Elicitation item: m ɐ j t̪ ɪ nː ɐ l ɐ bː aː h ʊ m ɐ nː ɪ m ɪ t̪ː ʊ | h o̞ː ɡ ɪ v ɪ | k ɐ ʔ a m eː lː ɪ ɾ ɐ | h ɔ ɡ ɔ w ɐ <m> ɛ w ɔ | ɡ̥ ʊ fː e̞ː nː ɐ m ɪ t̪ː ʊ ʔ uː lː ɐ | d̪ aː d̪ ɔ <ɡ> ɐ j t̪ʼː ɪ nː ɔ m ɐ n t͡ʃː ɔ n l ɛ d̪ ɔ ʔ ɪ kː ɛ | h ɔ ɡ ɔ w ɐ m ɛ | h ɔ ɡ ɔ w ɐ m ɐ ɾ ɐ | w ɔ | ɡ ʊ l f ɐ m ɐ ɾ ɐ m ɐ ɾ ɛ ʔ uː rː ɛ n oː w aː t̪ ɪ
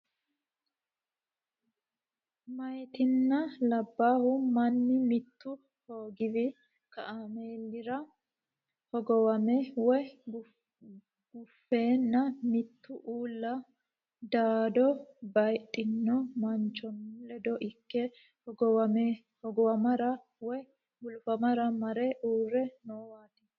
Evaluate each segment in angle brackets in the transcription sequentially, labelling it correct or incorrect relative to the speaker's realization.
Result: correct, incorrect: b

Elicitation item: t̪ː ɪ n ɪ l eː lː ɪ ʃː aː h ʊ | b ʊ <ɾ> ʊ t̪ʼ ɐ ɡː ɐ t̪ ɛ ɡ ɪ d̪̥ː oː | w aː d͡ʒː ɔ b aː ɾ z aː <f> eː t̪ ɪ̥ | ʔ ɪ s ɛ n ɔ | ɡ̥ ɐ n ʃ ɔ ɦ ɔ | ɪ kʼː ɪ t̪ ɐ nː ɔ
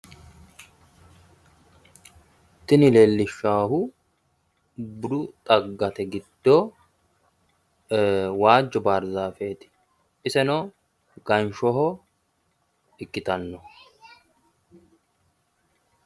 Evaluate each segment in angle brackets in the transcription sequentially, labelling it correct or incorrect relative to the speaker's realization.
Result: correct, correct

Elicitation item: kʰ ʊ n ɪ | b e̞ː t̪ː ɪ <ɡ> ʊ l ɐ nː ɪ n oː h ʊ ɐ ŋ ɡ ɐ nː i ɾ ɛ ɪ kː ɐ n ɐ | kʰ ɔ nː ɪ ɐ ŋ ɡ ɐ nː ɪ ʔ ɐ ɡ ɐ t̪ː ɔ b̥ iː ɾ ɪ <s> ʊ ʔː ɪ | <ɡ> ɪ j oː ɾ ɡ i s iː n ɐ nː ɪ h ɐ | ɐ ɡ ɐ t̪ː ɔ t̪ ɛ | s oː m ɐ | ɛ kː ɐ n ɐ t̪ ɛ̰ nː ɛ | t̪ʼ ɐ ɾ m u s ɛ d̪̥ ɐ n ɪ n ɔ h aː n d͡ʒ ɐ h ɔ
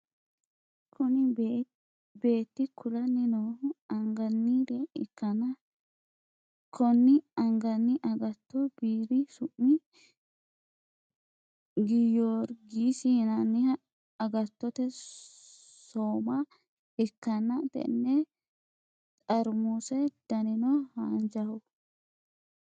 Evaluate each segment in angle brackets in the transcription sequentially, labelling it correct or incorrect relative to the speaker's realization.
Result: incorrect: k, correct, correct

